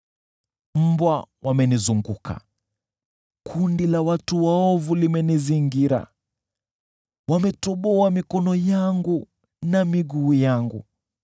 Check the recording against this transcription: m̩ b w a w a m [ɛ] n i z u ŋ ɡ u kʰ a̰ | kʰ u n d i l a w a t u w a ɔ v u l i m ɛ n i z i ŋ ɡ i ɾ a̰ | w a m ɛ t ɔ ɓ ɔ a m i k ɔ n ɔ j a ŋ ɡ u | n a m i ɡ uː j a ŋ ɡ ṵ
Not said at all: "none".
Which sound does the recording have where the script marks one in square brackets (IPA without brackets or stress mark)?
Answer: ɛ